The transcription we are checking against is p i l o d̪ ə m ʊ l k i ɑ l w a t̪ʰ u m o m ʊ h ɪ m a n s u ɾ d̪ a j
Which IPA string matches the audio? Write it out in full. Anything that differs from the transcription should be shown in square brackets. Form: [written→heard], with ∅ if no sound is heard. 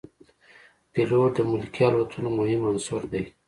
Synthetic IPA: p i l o d̪ ə m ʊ l k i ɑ l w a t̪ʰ u [m→n] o m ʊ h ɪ m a n s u ɾ d̪ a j